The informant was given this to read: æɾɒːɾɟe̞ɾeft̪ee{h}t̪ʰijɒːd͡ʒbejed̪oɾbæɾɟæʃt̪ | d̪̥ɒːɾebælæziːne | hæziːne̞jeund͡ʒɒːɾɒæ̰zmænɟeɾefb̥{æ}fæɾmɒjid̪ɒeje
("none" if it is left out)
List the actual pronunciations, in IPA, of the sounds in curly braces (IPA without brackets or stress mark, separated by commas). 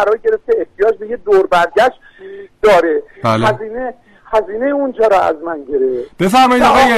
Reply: h, e